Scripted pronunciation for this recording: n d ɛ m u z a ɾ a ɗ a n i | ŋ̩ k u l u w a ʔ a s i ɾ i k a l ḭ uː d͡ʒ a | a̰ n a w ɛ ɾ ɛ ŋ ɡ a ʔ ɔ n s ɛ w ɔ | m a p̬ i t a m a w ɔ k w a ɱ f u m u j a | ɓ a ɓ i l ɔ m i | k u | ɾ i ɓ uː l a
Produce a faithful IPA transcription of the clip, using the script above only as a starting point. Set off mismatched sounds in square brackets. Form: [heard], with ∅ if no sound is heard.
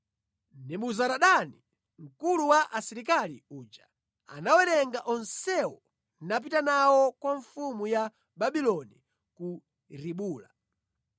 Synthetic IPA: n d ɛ m u z a ɾ a ɗ a n i | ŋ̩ k u l u w a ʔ a s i ɾ i k a l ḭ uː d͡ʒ a | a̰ n a w ɛ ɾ ɛ ŋ ɡ a ʔ ɔ n s ɛ w ɔ | [n] a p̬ i t a [n] a w ɔ k w a ɱ f u m u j a | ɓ a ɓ i l ɔ [n] i | k u | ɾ i ɓ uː l a